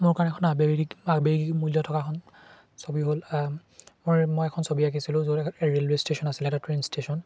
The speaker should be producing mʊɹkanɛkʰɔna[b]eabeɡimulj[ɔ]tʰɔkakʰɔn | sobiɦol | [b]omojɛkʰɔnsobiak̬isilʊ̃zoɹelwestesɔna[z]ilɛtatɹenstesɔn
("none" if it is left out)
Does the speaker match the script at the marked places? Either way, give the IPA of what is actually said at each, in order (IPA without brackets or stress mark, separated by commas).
b, ɔ, m, s